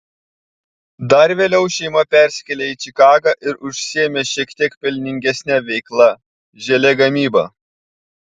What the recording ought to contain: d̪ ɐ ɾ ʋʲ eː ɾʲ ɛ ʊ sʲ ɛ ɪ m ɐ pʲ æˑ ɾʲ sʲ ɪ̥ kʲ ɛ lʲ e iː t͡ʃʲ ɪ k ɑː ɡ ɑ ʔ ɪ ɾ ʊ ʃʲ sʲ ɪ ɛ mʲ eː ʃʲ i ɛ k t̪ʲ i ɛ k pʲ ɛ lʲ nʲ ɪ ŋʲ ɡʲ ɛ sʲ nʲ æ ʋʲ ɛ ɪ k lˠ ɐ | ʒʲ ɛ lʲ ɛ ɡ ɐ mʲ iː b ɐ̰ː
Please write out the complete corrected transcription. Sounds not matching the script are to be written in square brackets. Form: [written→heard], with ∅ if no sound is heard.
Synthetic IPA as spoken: d̪ ɐ ɾ ʋʲ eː [ɾʲ→lʲ] ɛ ʊ [sʲ→ʃʲ] ɛ ɪ m ɐ pʲ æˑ ɾʲ sʲ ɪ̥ kʲ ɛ lʲ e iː t͡ʃʲ ɪ k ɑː ɡ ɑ ʔ ɪ ɾ ʊ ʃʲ sʲ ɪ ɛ mʲ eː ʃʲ i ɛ k t̪ʲ i ɛ k pʲ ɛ lʲ nʲ ɪ ŋʲ ɡʲ ɛ sʲ nʲ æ ʋʲ ɛ ɪ k lˠ ɐ | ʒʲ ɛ lʲ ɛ ɡ ɐ mʲ iː b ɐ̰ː